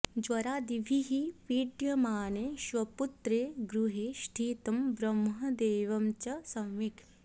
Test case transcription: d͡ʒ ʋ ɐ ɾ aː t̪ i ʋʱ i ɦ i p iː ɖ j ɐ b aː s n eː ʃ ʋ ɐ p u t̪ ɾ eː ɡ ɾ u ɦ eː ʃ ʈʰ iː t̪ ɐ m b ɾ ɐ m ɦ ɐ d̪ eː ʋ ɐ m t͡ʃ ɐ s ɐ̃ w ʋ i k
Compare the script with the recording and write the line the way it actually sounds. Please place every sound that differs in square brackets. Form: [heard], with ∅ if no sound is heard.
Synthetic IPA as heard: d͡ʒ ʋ ɐ ɾ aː [d̪] i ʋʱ i ɦ i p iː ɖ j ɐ [m] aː [∅] n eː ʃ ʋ ɐ p u t̪ ɾ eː ɡ ɾ u ɦ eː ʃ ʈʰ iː t̪ ɐ m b ɾ ɐ m ɦ ɐ d̪ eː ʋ ɐ m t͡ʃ ɐ s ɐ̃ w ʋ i k